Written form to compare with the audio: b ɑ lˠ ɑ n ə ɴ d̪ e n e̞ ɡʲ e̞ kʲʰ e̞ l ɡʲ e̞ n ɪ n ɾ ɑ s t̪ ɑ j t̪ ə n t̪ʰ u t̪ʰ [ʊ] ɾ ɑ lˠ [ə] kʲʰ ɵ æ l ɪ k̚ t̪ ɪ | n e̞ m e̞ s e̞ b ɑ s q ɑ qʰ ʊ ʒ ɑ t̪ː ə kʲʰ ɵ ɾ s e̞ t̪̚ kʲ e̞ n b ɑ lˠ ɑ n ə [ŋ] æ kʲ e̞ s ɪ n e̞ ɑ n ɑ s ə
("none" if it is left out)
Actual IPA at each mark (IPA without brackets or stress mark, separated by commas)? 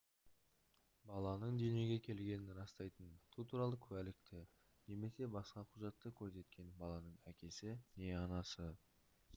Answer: u, ə, ɴ